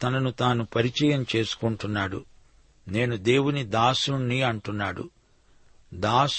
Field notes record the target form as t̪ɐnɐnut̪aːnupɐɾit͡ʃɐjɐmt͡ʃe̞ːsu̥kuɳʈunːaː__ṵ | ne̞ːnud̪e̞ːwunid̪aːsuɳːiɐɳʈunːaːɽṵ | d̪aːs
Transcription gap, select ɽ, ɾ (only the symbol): ɽ